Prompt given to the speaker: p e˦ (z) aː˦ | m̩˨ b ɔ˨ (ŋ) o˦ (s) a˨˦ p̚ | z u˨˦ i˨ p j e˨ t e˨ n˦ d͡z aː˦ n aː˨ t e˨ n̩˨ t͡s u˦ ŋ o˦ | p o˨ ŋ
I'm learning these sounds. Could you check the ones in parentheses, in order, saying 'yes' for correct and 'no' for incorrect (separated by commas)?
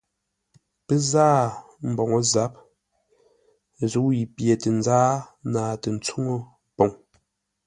yes, yes, no